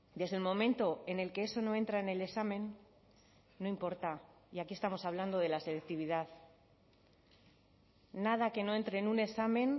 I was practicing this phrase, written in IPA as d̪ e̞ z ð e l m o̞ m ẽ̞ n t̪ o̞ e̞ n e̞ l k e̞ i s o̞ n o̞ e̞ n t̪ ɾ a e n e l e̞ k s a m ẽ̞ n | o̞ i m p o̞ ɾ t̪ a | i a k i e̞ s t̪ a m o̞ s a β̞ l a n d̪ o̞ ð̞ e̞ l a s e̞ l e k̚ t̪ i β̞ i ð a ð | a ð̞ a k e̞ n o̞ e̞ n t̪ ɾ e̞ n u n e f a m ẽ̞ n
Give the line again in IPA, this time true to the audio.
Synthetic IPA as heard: d̪ e̞ z ð e l m o̞ m ẽ̞ n t̪ o̞ e̞ n e̞ l k e̞ e s o̞ n o̞ e̞ n t̪ ɾ a e n e l e̞ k s a m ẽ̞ n | o̞ i m p o̞ ɾ t̪ a | i a k i e̞ s t̪ a m o̞ s a β̞ l a n d̪ o̞ ð̞ e̞ l a s e̞ l e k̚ t̪ i β̞ i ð a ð | a ð̞ a k e̞ n o̞ e̞ n t̪ ɾ e̞ n u n e s a m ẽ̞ n

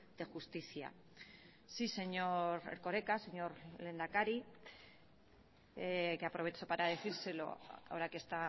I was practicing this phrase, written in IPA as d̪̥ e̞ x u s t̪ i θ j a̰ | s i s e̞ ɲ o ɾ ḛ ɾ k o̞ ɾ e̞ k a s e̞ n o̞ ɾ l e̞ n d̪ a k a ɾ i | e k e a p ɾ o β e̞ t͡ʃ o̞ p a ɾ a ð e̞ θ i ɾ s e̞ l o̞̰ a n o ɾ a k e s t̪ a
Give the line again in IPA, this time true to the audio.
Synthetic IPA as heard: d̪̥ e̞ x u s t̪ i θ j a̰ | s i s e̞ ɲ o ɾ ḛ ɾ k o̞ ɾ e̞ k a s e̞ ɲ o̞ ɾ l e̞ n d̪ a k a ɾ i | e k e a p ɾ o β e̞ t͡ʃ o̞ p a ɾ a ð e̞ θ i ɾ s e̞ l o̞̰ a o ɾ a k e s t̪ a

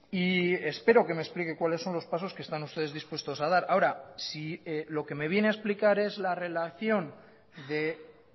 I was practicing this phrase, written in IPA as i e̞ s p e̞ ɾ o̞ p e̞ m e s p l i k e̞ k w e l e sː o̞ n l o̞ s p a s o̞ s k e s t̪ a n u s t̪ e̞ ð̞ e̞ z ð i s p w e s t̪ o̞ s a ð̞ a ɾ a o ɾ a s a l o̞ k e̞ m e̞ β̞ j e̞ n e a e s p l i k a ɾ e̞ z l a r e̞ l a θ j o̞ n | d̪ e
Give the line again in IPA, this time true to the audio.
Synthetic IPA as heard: i e̞ s p e̞ ɾ o̞ k e̞ m e s p l i k e̞ k w a l e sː o̞ n l o̞ s p a s o̞ s k e s t̪ a n u s t̪ e̞ ð̞ e̞ z ð i s p w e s t̪ o̞ s a ð̞ a ɾ a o ɾ a s i l o̞ k e̞ m e̞ β̞ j e̞ n e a e s p l i k a ɾ e̞ z l a r e̞ l a θ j o̞ n | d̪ e

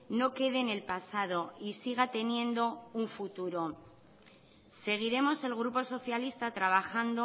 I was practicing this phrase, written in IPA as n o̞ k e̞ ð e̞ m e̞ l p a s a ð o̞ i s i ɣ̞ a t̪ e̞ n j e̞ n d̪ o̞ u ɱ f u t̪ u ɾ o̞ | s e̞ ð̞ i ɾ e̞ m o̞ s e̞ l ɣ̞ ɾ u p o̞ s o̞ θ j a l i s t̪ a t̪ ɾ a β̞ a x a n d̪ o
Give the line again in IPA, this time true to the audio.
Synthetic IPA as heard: n o̞ k e̞ ð e̞ n e̞ l p a s a ð o̞ i s i ɣ̞ a t̪ e̞ n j e̞ n d̪ o̞ u ɱ f u t̪ u ɾ o̞ | s e̞ ɣ̞ i ɾ e̞ m o̞ s e̞ l ɣ̞ ɾ u p o̞ s o̞ θ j a l i s t̪ a t̪ ɾ a β̞ a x a n d̪ o

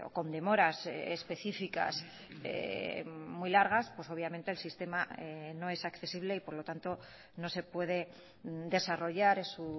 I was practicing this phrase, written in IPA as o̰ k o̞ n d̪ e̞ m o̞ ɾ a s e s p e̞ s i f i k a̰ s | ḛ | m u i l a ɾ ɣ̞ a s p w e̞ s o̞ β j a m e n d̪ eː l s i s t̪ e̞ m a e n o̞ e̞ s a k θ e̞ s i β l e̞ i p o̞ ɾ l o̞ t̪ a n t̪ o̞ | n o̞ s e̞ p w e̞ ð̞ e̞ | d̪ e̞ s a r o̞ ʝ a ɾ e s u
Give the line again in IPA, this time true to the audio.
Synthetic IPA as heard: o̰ k o̞ n d̪ e̞ m o̞ ɾ a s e s p e̞ θ i f i k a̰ s | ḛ | m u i l a ɾ ɣ̞ a s p w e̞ s o̞ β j a m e n t̪ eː l s i s t̪ e̞ m a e n o̞ e̞ s a k θ e̞ s i β l e̞ i p o̞ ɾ l o̞ t̪ a n t̪ o̞ | n o̞ s e̞ p w e̞ ð̞ e̞ | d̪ e̞ s a r o̞ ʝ a ɾ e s u

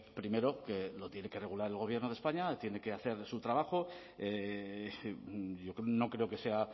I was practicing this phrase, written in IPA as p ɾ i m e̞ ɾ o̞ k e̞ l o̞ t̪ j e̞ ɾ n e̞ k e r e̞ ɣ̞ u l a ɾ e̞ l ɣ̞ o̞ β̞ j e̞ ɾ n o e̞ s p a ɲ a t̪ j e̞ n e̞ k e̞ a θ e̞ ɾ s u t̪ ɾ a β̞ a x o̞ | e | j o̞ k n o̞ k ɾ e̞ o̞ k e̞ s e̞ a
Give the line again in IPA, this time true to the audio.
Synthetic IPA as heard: p ɾ i m e̞ ɾ o̞ k e̞ l o̞ t̪ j e̞ n e̞ k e r e̞ ɣ̞ u l a ɾ e̞ l ɣ̞ o̞ β̞ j e̞ ɾ n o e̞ s p a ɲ a t̪ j e̞ n e̞ k e̞ a θ e̞ ɾ s u t̪ ɾ a β̞ a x o̞ | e | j o̞ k n o̞ k ɾ e̞ o̞ k e̞ s e̞ a

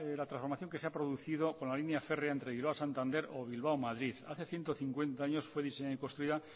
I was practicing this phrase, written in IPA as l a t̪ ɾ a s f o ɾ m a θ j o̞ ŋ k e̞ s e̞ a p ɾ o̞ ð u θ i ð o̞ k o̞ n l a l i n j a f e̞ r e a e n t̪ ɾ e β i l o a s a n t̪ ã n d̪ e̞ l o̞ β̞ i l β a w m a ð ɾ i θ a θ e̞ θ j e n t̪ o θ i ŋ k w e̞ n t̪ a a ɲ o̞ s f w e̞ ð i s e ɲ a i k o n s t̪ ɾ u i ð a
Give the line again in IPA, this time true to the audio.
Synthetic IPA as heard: l a t̪ ɾ a s f o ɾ m a θ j o̞ ŋ k e̞ s e̞ a p ɾ o̞ ð u θ i ð o̞ k o̞ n l a l i n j a f e̞ r e a e n t̪ ɾ e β i l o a s a n t̪ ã n d̪ e̞ ɾ o̞ β̞ i l β a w m a ð ɾ i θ a θ e̞ θ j e n t̪ o θ i ŋ k w e̞ n t̪ a a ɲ o̞ s f w e̞ ð i s e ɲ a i k o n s t̪ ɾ u i ð a

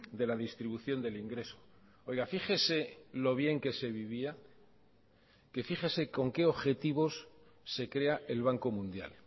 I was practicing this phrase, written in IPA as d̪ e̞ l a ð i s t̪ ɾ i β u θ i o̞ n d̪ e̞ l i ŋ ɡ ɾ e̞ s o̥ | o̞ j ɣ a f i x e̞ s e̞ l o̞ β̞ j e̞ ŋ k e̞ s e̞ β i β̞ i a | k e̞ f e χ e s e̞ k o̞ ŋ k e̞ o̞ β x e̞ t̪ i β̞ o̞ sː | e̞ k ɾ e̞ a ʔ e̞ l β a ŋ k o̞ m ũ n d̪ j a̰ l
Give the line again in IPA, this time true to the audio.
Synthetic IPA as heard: d̪ e̞ l a ð i s t̪ ɾ i β u θ j o̞ n d̪ e̞ l i ŋ ɡ ɾ e̞ s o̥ | o̞ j ɣ a f i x e̞ s e̞ l o̞ β̞ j e̞ ŋ k e̞ s e̞ β i β̞ i a | k e̞ f i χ e s e̞ k o̞ ŋ k e̞ o̞ β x e̞ t̪ i β̞ o̞ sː | e̞ k ɾ e̞ a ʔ e̞ l β a ŋ k o̞ m ũ n d̪ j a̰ l

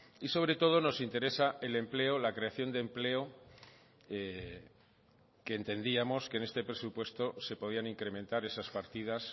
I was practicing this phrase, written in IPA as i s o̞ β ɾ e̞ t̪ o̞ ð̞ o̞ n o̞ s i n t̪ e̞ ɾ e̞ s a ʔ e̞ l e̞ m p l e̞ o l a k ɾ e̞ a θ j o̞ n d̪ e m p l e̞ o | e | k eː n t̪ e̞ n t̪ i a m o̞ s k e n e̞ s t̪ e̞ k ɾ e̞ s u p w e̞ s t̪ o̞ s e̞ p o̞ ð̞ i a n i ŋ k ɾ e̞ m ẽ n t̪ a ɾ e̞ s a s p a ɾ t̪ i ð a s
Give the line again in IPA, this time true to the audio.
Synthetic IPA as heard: i s o̞ β ɾ e̞ t̪ o̞ ð̞ o̞ n o̞ s i n t̪ e̞ ɾ e̞ s a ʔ e̞ l e̞ m p l e̞ o l a k ɾ e̞ a θ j o̞ n d̪ e m p l e̞ o | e | k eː n t̪ e̞ n d̪ i a m o̞ s k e n e̞ s t̪ e̞ p ɾ e̞ s u p w e̞ s t̪ o̞ s e̞ p o̞ ð̞ i a n i ŋ k ɾ e̞ m ẽ n t̪ a ɾ e̞ s a s p a ɾ t̪ i ð a s

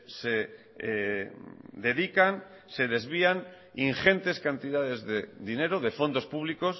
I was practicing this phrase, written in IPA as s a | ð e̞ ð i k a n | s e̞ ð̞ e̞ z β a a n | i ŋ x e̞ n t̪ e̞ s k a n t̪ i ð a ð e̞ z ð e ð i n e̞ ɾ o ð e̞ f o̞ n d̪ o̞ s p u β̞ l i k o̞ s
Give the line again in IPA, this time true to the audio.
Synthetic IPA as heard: s e | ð e̞ ð i k a n | s e̞ ð̞ e̞ z β i a n | i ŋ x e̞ n t̪ e̞ s k a n t̪ i ð a ð e̞ z ð e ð i n e̞ ɾ o ð e̞ f o̞ n d̪ o̞ s p u β̞ l i k o̞ s

